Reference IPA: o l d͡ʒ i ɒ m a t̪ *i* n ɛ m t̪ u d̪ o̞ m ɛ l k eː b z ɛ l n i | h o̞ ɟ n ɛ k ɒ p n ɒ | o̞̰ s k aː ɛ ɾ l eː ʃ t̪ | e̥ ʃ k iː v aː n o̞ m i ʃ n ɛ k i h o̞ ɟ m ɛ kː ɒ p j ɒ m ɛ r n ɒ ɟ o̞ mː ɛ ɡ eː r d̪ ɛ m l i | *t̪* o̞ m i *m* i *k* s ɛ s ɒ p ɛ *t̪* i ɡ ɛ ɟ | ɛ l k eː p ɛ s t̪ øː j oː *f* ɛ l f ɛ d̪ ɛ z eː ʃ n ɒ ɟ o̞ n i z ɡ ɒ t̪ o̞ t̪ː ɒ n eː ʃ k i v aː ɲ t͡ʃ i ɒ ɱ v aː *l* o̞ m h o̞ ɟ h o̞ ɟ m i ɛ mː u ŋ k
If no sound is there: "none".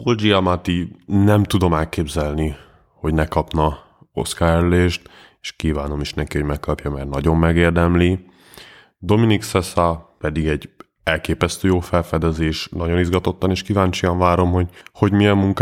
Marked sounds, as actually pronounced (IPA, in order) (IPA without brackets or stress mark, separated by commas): i, d̪, n, k, d̪, f, ɾ